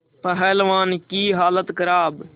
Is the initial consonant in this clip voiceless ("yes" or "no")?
yes